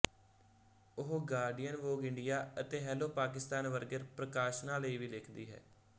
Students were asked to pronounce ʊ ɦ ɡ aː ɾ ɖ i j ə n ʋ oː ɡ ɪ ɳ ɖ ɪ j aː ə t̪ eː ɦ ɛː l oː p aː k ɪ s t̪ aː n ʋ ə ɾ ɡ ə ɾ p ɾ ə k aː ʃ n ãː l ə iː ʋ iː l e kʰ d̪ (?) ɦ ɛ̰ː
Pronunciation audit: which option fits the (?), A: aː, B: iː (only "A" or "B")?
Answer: B